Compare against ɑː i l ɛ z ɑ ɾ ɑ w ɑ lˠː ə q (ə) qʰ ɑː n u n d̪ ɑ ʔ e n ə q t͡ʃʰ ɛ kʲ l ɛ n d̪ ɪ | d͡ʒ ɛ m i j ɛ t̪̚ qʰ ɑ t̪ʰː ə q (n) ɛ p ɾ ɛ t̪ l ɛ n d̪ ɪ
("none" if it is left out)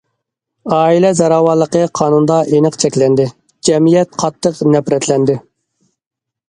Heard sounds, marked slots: ə, n

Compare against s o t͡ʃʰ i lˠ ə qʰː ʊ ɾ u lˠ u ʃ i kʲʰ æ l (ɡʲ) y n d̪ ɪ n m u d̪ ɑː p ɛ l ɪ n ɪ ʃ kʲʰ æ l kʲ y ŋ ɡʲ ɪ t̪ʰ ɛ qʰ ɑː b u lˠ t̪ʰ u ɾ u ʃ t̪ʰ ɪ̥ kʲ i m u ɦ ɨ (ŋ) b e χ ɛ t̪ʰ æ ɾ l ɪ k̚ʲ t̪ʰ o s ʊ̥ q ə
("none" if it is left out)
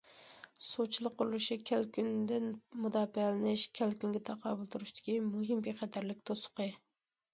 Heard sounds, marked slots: kʲ, m

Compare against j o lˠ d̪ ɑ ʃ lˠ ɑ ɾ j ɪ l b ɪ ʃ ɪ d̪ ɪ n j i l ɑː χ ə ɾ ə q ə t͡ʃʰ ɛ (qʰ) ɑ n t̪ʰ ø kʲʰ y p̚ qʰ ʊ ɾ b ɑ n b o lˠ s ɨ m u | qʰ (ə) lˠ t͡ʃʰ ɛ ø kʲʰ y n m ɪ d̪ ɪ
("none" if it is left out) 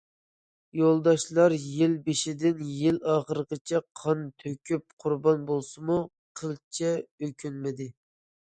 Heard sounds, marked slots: qʰ, ə

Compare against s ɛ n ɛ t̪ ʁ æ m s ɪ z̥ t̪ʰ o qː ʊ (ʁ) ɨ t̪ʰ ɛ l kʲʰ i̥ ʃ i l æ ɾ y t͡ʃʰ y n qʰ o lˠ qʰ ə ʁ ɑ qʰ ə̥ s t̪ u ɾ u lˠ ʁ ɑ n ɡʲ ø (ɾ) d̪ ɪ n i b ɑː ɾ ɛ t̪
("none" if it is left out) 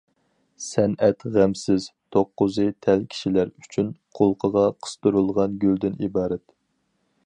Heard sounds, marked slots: z, l

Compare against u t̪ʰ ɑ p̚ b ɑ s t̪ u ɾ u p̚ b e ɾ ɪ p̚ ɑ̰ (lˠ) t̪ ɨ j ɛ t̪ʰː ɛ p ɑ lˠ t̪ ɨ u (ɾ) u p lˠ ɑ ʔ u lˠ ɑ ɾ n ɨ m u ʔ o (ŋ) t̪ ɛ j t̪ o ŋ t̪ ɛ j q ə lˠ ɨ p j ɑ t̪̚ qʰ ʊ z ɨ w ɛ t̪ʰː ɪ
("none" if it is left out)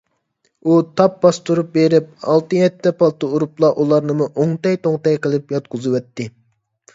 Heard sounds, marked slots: lˠ, ɾ, ŋ

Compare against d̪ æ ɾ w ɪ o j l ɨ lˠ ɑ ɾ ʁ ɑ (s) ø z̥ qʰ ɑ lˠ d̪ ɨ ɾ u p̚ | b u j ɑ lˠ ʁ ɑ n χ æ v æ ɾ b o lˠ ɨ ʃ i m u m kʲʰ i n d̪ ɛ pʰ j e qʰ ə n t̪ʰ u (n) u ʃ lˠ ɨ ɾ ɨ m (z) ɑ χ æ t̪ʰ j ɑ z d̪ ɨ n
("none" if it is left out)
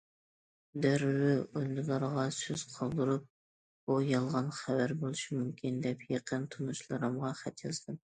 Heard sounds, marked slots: s, n, ʁ

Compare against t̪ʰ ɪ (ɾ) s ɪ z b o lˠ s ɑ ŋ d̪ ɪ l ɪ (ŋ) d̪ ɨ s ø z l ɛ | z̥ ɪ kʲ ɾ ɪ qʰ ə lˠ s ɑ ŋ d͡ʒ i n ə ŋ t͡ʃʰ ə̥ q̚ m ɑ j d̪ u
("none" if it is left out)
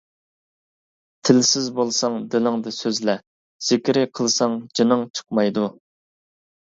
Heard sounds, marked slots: l, ŋ

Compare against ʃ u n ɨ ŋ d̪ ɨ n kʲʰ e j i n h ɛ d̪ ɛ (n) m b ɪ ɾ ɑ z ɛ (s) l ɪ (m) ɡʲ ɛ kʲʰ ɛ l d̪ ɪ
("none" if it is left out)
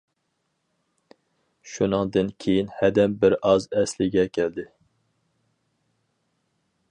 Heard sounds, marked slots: none, s, none

